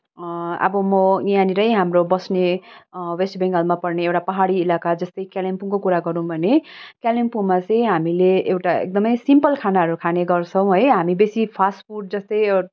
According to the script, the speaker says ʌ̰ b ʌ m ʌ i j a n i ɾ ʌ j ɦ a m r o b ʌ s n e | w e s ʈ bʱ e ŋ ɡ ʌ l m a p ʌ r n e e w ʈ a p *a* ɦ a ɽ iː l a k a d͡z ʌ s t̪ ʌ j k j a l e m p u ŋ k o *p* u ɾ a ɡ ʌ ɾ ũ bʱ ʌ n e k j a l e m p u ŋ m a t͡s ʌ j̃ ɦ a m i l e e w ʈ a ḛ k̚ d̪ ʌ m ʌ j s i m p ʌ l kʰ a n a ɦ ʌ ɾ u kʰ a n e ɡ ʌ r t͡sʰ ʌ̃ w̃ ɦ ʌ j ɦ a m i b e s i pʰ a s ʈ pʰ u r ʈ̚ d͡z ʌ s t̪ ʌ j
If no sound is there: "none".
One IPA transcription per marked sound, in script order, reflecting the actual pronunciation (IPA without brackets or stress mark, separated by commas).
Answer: ʌ, k